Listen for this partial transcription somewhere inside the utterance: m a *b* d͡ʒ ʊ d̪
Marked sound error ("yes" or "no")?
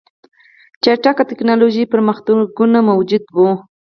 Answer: yes